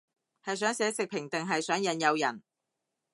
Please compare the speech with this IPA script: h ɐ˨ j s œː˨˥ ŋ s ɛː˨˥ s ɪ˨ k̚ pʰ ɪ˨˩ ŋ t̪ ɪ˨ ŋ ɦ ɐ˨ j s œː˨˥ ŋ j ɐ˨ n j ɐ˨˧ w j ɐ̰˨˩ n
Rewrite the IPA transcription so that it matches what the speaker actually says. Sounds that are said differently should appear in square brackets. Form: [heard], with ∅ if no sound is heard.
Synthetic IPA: h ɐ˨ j s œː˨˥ ŋ s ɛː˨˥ s ɪ˨ k̚ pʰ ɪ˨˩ ŋ t̪ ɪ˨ ŋ ɦ ɐ˨ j s œː˨˥ ŋ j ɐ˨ n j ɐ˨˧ w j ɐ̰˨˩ n